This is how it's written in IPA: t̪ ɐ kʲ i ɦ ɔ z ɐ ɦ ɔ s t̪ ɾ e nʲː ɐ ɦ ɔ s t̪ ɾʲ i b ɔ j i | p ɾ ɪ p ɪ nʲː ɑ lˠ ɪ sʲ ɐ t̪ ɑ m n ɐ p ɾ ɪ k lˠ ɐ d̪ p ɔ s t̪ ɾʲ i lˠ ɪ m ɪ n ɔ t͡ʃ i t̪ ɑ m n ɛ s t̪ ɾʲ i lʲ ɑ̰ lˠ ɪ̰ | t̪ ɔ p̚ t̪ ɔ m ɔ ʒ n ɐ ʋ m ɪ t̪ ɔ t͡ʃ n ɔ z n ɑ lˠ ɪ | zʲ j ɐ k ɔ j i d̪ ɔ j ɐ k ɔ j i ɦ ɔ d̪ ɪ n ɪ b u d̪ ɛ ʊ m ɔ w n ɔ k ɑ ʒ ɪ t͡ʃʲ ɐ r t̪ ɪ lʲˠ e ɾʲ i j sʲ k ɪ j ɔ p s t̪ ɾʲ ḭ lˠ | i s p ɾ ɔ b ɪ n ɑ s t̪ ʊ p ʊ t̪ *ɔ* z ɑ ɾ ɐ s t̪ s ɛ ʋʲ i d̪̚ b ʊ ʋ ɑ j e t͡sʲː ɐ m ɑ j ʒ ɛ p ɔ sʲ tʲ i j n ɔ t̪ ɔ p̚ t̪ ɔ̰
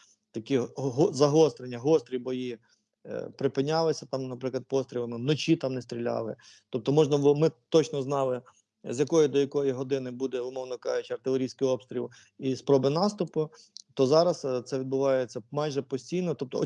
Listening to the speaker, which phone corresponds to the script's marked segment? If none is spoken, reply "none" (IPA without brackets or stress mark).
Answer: ɔ